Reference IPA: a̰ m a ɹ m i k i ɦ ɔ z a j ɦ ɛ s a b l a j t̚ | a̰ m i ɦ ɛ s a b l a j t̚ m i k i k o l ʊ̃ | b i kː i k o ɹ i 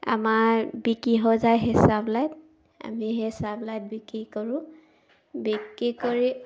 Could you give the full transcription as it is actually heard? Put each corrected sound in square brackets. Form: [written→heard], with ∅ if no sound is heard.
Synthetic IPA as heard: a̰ m a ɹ [m→b] i k i ɦ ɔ z a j ɦ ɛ s a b l a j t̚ | a̰ m i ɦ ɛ s a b l a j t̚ [m→b] i k i k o [l→ɹ] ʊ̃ | b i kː i k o ɹ i